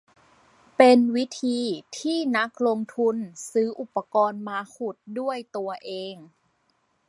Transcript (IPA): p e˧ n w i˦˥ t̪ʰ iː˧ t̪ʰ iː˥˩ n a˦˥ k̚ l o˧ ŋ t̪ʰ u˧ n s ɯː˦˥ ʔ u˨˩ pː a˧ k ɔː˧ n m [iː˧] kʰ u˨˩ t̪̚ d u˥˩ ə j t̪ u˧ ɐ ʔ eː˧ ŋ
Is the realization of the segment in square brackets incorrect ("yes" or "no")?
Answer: yes